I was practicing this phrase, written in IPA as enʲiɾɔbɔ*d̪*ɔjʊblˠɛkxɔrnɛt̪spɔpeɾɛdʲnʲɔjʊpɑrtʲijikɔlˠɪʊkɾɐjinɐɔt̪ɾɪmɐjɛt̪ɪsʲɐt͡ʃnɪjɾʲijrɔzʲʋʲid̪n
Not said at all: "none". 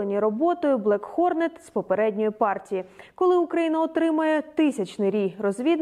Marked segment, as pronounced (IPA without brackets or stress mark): t̪